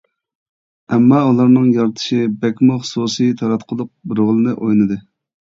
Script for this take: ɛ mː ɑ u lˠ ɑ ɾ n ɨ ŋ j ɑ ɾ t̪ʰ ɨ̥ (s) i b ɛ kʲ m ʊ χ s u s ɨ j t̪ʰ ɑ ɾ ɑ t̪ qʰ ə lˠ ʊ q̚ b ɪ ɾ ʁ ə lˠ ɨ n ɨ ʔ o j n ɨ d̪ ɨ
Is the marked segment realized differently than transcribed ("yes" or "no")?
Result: yes